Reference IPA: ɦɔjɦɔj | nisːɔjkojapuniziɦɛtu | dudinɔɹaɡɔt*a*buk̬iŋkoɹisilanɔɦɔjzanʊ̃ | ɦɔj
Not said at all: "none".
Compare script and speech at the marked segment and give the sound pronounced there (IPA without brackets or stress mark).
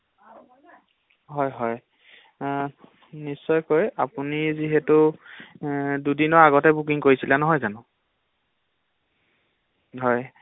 ɛ